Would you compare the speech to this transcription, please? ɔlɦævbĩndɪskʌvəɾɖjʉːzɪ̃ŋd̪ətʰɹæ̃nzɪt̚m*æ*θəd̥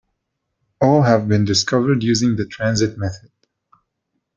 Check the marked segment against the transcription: incorrect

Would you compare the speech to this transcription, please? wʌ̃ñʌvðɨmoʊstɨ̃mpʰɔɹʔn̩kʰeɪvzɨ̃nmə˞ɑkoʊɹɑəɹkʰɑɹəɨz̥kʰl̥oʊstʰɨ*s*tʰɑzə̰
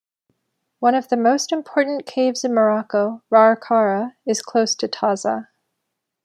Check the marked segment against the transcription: incorrect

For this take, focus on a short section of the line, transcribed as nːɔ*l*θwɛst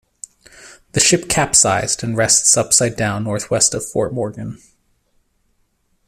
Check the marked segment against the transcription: incorrect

